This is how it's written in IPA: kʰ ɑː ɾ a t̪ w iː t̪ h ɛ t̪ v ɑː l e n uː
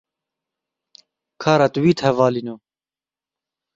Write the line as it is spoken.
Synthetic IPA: kʰ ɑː ɾ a t̪ w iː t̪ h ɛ v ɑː l i n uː